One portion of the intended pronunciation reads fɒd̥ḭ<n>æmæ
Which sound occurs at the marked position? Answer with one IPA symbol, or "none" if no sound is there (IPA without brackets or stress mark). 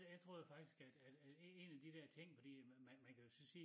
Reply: m